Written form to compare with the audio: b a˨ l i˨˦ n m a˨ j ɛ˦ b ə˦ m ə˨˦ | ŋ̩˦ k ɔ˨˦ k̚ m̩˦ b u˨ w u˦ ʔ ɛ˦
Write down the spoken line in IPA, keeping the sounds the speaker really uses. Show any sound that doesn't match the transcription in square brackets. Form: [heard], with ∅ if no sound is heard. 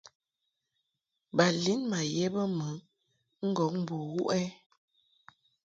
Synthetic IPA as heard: b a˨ l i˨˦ n m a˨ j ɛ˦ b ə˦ m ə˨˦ | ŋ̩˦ [ɡ] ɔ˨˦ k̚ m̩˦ b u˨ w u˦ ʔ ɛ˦